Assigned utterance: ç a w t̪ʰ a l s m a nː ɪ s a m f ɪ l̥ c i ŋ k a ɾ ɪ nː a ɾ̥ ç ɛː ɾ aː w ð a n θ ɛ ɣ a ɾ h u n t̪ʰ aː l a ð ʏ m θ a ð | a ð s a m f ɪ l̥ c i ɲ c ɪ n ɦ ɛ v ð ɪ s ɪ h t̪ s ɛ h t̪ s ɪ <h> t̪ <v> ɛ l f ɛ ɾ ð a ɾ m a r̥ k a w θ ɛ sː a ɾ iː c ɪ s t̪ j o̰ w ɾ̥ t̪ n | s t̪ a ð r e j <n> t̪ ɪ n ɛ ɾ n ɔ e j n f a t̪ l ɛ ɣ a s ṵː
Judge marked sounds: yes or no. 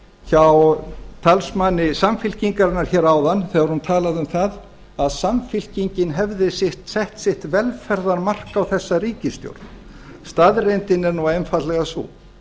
yes, yes, yes

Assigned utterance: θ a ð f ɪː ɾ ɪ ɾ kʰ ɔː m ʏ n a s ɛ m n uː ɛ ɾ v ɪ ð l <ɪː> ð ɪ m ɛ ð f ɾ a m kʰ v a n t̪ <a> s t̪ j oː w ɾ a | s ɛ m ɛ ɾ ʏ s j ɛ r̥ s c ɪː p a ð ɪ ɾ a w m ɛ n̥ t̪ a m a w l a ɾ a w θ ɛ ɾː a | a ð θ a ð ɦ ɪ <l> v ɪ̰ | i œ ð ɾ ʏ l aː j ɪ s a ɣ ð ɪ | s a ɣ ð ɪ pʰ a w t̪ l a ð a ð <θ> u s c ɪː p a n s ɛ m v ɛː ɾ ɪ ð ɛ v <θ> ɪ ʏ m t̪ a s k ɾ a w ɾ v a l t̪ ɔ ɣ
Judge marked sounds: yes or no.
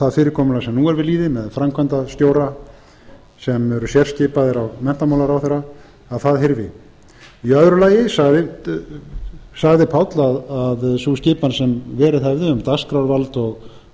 no, yes, no, no, no

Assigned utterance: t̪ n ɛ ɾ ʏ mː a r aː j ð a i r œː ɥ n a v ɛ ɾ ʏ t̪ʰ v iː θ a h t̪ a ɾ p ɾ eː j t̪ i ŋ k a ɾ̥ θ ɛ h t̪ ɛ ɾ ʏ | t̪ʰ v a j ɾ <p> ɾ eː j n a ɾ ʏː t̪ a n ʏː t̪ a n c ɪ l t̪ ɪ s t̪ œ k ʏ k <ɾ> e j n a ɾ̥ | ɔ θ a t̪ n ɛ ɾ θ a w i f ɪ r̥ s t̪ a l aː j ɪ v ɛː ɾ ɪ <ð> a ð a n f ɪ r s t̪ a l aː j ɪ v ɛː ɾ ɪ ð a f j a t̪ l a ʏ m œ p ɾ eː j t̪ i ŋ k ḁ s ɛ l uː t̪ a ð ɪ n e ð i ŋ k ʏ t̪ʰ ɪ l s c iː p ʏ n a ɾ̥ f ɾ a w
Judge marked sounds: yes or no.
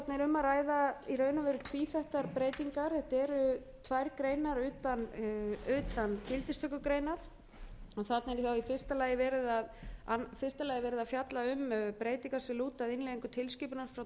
no, yes, yes

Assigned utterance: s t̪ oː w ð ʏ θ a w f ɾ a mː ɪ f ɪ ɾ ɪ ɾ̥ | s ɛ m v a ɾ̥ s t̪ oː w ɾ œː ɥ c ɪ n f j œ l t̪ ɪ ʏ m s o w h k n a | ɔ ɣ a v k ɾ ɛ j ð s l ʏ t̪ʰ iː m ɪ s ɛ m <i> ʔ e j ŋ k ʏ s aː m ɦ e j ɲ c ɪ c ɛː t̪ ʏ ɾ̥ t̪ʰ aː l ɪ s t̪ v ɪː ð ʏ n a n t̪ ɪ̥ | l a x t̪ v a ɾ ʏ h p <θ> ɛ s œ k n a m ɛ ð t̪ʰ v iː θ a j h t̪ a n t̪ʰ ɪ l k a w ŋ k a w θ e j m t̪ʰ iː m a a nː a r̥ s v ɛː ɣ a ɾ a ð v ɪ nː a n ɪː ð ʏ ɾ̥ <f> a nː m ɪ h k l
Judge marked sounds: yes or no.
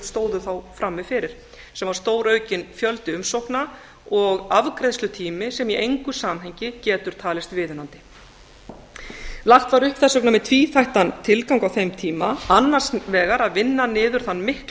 yes, yes, no

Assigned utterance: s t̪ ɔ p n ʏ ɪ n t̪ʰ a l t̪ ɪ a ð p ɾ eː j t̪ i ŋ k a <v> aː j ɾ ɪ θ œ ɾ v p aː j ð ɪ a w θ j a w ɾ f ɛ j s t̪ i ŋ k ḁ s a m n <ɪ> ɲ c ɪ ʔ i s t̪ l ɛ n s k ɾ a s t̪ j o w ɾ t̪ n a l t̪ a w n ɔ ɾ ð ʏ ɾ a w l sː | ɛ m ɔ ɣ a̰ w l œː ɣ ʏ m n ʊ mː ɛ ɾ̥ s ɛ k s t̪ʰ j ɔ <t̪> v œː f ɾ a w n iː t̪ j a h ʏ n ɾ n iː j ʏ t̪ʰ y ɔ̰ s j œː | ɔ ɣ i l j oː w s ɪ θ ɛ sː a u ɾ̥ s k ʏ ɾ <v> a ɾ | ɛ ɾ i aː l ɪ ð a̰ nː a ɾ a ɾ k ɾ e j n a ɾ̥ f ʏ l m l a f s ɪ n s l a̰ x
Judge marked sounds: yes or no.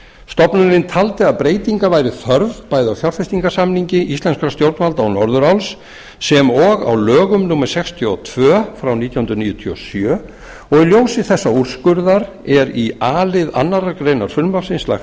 yes, no, no, no

